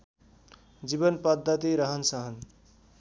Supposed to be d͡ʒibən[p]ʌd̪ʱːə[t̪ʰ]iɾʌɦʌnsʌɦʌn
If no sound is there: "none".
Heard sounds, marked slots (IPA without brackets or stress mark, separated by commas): p, t̪